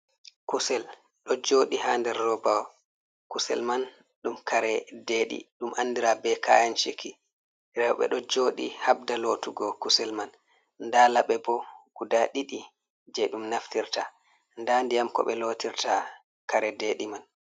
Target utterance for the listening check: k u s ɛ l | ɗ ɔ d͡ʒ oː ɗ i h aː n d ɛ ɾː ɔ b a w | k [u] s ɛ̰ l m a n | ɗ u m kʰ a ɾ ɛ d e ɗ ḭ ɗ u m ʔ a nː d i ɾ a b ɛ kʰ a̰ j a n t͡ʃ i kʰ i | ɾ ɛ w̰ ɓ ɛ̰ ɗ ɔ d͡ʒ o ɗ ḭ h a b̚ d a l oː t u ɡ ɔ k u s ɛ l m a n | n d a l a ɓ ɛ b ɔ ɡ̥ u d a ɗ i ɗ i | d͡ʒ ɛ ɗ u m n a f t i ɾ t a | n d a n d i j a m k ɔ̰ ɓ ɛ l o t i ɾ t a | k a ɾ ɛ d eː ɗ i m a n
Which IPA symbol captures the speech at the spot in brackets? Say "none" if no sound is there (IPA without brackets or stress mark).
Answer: u